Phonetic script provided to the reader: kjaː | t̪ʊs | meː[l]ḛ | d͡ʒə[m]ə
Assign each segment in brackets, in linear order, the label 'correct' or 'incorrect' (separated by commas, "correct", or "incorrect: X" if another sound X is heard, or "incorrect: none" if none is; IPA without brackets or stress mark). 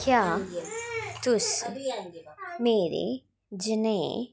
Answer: incorrect: ɾ, incorrect: n